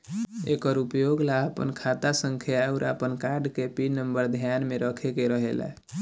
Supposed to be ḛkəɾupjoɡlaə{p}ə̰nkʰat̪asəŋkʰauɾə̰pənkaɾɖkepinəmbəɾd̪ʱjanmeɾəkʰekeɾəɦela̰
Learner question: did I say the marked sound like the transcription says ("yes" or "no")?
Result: yes